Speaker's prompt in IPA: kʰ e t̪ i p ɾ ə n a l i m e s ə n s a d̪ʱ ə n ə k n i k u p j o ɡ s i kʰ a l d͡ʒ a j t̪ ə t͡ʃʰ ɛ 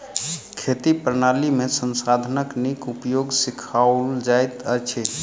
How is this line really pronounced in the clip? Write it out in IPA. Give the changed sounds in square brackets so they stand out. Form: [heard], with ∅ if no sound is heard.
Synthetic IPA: kʰ e t̪ i p ɾ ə n a l i m e s ə n s a d̪ʱ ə n ə k n i k u p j o ɡ s i kʰ a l d͡ʒ a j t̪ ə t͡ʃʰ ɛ

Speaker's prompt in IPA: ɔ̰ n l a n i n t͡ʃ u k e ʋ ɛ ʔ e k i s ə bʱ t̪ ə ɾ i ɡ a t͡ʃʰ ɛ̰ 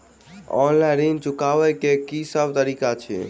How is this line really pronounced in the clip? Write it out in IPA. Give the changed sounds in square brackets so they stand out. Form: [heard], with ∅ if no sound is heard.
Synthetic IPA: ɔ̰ n l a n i n t͡ʃ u k [a] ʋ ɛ [k] e k i s ə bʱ t̪ ə ɾ i [k] a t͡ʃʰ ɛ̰

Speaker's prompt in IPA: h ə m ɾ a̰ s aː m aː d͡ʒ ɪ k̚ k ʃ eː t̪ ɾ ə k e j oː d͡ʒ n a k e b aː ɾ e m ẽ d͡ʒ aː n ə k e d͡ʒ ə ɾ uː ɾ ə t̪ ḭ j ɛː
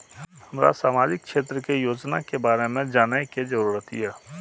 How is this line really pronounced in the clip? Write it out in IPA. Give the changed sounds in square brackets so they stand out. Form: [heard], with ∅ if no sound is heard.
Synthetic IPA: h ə m ɾ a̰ s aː m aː d͡ʒ ɪ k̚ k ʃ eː t̪ ɾ ə k e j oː d͡ʒ n a k e b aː ɾ e m ẽ d͡ʒ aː n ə k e d͡ʒ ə ɾ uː ɾ ə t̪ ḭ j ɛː

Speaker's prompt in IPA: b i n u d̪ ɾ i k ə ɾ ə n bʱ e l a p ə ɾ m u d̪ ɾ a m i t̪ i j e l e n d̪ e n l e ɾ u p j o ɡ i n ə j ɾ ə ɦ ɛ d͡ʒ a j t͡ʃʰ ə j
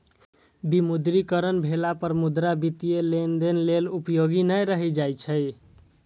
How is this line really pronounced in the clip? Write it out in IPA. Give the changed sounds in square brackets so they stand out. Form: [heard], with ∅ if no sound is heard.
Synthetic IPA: b i [m] u d̪ ɾ i k ə ɾ ə n bʱ e l a p ə ɾ m u d̪ ɾ a [b] i t̪ i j e l e n d̪ e n l e [l] u p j o ɡ i n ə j ɾ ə ɦ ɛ d͡ʒ a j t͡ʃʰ ə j

